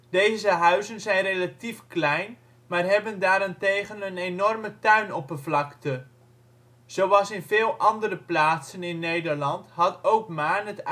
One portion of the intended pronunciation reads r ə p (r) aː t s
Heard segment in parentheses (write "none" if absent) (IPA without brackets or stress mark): l